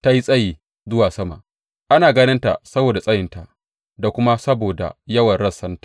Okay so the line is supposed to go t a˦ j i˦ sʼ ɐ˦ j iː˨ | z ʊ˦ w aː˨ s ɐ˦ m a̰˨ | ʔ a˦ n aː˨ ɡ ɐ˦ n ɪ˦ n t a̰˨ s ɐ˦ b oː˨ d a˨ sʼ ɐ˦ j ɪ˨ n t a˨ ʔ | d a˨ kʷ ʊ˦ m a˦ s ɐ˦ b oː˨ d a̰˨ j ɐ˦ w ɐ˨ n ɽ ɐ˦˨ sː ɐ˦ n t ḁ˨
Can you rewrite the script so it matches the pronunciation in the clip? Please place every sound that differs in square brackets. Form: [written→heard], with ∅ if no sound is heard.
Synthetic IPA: t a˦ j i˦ sʼ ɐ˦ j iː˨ | z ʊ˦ w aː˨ s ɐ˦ m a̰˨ | ʔ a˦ n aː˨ ɡ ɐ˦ n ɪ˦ n t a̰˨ s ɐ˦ b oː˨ d a˨ sʼ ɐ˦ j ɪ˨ n t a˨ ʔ | d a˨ kʷ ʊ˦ m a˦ s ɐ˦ b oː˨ d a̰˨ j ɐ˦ w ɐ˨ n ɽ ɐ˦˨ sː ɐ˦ n t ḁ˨